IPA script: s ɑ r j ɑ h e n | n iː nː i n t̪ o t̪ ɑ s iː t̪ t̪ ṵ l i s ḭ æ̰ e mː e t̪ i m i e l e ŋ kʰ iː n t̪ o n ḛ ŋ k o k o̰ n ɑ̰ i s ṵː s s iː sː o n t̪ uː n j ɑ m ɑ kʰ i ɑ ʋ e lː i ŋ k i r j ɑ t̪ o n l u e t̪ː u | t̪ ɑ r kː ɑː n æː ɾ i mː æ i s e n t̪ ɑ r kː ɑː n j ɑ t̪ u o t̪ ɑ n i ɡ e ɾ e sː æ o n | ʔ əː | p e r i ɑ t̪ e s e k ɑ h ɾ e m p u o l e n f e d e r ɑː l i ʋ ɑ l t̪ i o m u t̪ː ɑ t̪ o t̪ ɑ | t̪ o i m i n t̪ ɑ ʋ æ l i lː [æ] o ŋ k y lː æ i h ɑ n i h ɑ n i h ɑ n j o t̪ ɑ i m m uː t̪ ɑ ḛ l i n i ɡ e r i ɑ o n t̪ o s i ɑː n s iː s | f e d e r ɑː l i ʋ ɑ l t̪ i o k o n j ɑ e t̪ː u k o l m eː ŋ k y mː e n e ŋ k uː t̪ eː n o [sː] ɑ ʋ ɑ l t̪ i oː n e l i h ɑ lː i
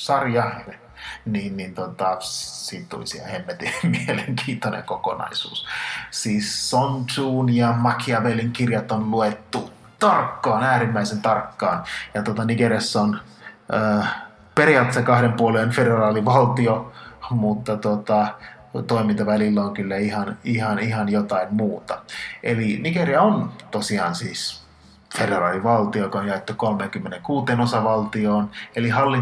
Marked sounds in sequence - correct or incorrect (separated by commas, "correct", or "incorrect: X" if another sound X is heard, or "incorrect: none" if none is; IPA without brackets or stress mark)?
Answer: correct, incorrect: s